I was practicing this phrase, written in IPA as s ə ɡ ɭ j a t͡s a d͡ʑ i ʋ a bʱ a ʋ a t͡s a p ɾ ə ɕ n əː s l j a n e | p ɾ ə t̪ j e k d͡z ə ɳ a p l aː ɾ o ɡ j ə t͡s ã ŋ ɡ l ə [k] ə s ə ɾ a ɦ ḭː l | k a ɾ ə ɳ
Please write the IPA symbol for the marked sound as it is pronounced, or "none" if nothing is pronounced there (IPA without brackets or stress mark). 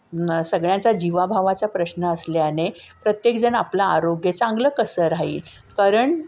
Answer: k